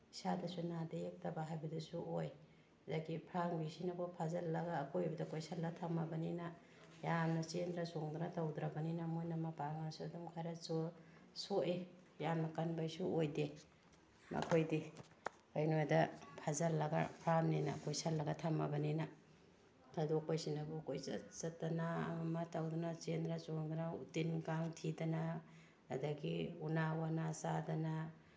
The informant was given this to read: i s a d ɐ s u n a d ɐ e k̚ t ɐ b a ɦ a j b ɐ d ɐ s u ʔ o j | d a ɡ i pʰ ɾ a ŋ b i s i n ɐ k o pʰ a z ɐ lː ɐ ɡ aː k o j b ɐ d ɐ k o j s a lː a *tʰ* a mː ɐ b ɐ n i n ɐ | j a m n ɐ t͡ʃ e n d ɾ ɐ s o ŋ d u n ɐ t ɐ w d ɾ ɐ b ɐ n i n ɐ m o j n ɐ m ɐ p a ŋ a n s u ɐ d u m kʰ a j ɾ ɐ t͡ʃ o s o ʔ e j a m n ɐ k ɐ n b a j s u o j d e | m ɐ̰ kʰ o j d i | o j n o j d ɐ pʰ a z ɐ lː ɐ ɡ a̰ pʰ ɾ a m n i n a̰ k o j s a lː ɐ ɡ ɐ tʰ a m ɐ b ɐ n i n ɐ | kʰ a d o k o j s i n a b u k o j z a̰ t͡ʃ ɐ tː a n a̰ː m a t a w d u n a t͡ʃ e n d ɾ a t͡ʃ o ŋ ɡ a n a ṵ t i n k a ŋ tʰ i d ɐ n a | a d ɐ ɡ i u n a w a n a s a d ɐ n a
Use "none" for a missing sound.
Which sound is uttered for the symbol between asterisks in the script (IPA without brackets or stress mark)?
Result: tʰ